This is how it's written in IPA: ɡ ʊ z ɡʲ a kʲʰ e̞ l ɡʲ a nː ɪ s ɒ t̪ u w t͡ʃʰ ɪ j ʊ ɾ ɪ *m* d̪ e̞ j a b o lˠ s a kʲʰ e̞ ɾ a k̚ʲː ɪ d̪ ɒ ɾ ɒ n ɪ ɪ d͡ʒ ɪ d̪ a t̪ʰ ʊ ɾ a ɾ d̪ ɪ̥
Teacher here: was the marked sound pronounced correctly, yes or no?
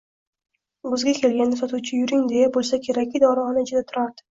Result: no